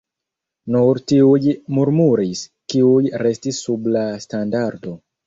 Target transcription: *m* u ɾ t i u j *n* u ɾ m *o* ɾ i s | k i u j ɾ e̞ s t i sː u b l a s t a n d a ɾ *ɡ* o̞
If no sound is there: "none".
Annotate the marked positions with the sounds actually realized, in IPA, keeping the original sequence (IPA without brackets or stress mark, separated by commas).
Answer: n, m, u, d